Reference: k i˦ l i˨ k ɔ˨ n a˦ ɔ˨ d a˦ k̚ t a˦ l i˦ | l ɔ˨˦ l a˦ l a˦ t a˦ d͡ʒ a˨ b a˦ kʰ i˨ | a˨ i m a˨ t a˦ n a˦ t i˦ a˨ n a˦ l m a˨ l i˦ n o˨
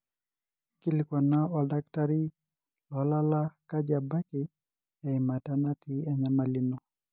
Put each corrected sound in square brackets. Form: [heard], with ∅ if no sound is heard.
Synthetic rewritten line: k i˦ l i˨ k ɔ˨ n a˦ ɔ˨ d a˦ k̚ t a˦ [ɾ] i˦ | l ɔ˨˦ l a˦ l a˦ [k] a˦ d͡ʒ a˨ b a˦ [k] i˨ | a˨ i m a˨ t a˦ n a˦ t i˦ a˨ [ɲ] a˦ [∅] m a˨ l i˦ n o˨